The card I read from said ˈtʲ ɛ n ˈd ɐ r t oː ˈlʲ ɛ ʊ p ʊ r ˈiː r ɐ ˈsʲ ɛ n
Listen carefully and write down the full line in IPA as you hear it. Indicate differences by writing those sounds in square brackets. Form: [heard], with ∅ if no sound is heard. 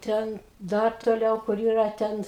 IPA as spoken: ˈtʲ ɛ n ˈd ɐ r t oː ˈlʲ ɛ ʊ [k] ʊ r ˈiː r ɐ [ˈtʲ] ɛ n